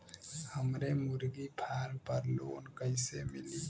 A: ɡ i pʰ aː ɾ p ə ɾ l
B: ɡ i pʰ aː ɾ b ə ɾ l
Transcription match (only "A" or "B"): A